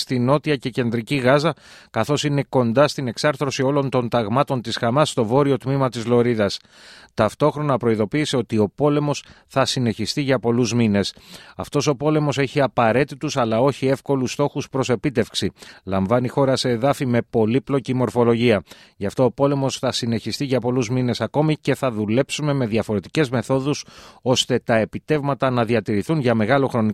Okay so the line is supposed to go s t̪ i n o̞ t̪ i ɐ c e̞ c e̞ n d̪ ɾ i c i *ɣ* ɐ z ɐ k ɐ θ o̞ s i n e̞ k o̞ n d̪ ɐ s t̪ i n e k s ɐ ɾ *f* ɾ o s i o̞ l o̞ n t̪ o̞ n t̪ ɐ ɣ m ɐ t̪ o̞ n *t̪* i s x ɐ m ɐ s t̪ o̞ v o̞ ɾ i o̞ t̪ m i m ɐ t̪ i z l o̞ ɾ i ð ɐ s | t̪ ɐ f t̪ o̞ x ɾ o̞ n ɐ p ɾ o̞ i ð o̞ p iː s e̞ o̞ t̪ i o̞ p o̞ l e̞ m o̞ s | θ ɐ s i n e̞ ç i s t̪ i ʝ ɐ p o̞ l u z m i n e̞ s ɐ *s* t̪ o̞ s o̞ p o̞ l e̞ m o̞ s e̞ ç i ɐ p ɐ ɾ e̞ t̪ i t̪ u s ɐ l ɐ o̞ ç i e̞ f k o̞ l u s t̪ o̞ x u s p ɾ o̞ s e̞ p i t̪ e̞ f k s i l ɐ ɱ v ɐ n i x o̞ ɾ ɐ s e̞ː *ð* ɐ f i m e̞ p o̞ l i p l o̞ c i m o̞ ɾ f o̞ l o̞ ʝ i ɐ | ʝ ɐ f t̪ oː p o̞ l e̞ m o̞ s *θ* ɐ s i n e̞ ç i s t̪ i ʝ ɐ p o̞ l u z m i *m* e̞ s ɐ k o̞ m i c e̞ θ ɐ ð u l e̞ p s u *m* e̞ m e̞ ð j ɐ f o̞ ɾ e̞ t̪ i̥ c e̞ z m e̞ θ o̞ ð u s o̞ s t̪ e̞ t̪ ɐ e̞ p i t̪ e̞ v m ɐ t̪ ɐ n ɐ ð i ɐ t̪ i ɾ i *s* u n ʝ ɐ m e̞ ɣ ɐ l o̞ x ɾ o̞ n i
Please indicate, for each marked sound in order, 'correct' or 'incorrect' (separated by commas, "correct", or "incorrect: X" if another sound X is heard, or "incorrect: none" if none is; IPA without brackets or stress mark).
correct, incorrect: θ, correct, incorrect: f, correct, correct, incorrect: n, correct, incorrect: θ